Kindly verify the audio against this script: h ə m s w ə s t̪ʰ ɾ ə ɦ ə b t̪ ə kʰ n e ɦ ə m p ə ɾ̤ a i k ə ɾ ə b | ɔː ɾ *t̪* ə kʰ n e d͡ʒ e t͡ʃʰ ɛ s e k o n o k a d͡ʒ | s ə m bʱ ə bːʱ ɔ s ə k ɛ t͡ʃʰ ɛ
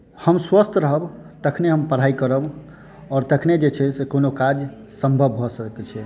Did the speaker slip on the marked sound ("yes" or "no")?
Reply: no